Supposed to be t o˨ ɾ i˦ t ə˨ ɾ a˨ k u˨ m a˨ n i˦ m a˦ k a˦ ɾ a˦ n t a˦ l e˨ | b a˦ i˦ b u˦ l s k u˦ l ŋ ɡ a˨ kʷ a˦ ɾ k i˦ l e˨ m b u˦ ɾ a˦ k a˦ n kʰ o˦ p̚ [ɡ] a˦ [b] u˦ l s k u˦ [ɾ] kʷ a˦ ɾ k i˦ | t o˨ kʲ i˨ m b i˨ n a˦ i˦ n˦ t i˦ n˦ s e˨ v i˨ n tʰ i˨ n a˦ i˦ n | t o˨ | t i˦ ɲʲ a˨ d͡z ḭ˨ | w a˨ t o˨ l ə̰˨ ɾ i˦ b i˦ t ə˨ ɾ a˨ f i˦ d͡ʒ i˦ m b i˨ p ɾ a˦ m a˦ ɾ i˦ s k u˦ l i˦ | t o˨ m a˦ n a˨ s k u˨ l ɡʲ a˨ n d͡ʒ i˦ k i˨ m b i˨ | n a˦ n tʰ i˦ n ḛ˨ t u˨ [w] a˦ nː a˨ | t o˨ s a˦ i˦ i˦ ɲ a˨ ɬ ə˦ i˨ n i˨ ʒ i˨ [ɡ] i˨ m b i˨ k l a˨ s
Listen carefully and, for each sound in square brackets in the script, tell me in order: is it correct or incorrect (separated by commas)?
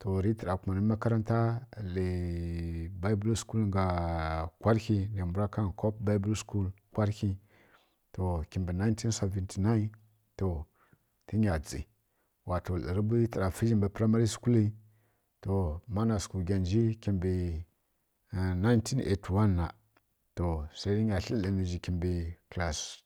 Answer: incorrect, correct, incorrect, correct, incorrect